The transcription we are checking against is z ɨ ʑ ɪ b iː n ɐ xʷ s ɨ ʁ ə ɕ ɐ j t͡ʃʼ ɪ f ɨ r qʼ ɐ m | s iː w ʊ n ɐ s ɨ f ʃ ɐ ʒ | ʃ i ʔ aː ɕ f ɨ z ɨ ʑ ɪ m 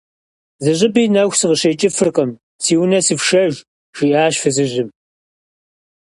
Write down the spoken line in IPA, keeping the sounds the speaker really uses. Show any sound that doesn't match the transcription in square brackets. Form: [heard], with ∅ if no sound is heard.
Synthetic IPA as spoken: z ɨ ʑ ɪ b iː n ɐ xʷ s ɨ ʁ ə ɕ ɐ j t͡ʃʼ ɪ f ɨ r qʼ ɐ m | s iː w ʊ n ɐ s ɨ f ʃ ɐ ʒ | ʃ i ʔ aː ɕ f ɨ z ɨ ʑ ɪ m

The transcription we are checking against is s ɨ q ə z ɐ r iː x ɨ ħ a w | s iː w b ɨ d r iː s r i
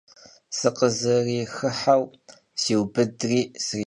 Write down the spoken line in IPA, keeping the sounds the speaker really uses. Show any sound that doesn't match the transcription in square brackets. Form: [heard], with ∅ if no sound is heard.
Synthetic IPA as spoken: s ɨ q ə z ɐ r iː x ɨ ħ a w | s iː w b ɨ d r iː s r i

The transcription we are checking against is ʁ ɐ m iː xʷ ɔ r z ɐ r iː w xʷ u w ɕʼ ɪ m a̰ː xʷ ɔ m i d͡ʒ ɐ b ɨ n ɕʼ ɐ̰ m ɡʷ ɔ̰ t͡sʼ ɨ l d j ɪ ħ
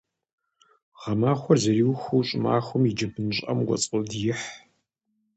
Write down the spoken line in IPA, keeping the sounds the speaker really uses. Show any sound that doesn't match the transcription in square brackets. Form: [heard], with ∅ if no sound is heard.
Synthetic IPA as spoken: ʁ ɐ m [aː] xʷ ɔ r z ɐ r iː w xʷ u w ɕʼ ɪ m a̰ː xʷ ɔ m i d͡ʒ ɐ b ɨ n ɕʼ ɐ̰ m ɡʷ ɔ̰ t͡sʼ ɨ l d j ɪ ħ

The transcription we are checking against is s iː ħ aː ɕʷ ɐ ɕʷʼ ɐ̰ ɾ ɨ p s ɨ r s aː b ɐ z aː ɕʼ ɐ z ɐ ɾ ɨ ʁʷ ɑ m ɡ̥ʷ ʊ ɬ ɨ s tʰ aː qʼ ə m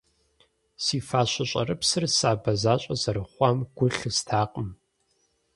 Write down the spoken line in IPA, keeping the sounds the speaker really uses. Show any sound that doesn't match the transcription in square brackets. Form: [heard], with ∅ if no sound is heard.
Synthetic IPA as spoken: s iː [f] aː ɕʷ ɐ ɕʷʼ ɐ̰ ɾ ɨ p s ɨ r s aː b ɐ z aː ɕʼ ɐ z ɐ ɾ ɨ [χʷ] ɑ m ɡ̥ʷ ʊ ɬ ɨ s tʰ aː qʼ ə m

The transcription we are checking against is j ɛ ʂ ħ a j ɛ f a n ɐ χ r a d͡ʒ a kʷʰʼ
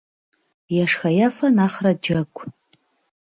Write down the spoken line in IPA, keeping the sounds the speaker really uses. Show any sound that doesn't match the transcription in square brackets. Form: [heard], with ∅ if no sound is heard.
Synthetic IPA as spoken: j [a] ʂ [x] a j [a] f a n [a] χ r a d͡ʒ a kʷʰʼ

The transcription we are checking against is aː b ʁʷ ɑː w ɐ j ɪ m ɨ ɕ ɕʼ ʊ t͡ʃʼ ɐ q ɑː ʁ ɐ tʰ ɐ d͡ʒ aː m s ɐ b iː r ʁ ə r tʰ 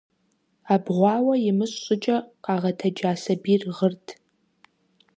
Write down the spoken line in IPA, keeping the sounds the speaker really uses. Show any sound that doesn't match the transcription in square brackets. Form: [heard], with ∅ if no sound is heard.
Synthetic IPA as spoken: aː b ʁʷ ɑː w ɐ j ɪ m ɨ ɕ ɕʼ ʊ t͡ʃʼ ɐ q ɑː ʁ ɐ tʰ ɐ d͡ʒ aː [∅] s ɐ b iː r ʁ ə r tʰ

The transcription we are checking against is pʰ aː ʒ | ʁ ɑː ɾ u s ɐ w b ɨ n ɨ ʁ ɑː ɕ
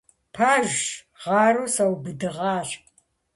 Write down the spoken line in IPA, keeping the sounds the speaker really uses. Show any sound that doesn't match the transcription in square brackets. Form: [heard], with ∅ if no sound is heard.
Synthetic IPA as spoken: pʰ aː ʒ | ʁ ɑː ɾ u s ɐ w b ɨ [d] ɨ ʁ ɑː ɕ

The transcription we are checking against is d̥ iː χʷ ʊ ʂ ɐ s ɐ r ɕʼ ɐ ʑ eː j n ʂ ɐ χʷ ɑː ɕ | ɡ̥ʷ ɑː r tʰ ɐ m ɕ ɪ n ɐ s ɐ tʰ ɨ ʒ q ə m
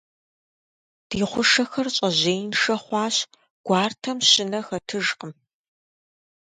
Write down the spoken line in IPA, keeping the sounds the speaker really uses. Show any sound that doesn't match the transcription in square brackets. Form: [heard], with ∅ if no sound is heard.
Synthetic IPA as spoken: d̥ iː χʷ ʊ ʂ ɐ [x] ɐ r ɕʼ ɐ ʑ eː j n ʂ ɐ χʷ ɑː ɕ | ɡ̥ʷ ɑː r tʰ ɐ m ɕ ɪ n ɐ [x] ɐ tʰ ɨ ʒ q ə m

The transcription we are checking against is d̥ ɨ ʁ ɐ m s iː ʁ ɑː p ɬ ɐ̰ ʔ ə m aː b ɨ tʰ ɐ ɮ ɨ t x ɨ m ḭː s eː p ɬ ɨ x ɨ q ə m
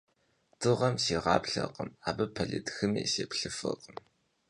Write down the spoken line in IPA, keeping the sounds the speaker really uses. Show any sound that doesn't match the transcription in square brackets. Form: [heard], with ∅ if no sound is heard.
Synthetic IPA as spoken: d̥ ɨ ʁ ɐ m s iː ʁ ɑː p ɬ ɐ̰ [q] ə m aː b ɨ [pʰ] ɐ ɮ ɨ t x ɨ m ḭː s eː p ɬ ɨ [f] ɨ q ə m

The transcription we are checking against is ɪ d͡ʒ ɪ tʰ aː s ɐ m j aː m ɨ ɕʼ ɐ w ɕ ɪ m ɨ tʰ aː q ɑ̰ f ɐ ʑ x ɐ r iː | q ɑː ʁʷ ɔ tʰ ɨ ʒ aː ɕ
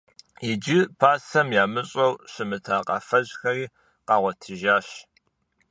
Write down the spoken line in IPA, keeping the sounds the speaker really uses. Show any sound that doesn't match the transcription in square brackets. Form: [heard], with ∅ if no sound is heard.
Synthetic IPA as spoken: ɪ d͡ʒ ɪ [pʰ] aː s ɐ m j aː m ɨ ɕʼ ɐ w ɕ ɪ m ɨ tʰ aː q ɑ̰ f ɐ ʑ x ɐ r iː | q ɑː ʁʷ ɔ tʰ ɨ ʒ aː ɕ

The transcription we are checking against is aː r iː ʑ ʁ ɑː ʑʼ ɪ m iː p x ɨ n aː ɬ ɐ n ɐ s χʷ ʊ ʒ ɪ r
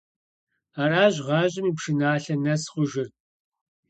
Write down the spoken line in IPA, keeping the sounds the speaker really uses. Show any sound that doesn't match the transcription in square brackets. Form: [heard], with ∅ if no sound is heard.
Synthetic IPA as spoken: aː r [aː] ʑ ʁ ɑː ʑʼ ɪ m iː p [ʂ] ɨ n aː ɬ ɐ n ɐ s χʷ ʊ ʒ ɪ r

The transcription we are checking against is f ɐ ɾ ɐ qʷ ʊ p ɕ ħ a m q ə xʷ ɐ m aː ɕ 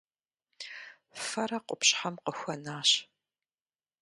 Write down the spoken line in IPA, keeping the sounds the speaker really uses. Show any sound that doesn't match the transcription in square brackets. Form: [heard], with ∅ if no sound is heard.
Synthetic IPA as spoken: f ɐ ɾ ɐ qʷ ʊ p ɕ ħ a m q ə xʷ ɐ [n] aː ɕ

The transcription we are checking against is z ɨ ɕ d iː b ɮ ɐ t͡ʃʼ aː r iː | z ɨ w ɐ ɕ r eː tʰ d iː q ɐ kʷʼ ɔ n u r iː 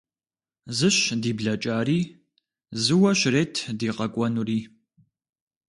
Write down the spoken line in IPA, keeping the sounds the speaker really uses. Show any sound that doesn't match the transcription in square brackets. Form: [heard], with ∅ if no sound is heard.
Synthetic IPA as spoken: z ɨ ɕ d iː b ɮ ɐ t͡ʃʼ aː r iː | z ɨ w ɐ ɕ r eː tʰ d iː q ɐ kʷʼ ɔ n u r iː

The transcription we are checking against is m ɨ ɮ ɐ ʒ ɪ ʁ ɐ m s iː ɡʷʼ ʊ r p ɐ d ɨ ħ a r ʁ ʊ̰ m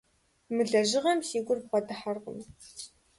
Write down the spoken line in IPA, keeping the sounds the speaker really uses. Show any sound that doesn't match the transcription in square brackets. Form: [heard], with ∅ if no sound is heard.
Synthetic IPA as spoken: m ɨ ɮ ɐ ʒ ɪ ʁ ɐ m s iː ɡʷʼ ʊ r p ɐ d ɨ ħ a r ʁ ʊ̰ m

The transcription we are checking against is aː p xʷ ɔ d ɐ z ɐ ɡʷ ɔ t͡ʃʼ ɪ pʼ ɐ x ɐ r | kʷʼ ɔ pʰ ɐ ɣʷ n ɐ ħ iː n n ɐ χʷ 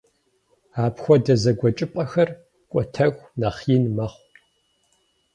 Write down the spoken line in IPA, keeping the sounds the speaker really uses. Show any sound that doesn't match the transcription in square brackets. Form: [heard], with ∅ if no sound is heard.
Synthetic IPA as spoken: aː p xʷ ɔ d ɐ z ɐ ɡʷ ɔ t͡ʃʼ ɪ pʼ ɐ x ɐ r | kʷʼ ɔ [tʰ] ɐ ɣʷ n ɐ [χ] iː n [m] ɐ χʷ

